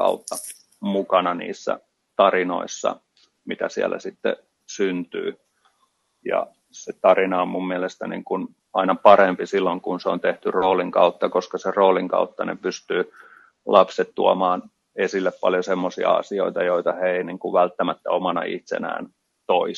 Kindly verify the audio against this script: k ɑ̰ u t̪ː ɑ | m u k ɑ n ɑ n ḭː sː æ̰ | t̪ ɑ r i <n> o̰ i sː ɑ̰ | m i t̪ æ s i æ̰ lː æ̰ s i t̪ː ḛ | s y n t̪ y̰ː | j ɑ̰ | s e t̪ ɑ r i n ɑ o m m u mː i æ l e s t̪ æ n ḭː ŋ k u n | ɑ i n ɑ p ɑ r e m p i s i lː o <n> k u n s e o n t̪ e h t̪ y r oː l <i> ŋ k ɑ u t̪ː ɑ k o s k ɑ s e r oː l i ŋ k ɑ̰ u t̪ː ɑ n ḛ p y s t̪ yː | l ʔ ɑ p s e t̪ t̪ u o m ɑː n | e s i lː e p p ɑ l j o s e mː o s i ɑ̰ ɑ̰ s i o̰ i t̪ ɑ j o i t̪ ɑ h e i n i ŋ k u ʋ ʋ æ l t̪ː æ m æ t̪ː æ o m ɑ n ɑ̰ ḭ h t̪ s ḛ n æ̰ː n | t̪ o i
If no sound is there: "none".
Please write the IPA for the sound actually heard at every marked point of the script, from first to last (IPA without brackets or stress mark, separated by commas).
n, ŋ, i